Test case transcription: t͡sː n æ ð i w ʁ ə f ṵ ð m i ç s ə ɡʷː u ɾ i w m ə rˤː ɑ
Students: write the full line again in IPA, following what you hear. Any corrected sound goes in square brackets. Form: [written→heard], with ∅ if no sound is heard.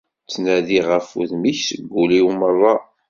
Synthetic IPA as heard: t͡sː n æ ð i [w→∅] ʁ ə f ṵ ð m i ç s ə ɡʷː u [ɾ→l] i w m ə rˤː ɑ